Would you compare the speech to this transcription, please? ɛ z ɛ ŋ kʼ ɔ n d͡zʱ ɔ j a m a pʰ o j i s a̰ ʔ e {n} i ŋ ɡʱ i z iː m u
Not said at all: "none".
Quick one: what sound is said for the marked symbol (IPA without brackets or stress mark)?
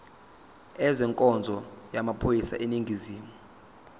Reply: n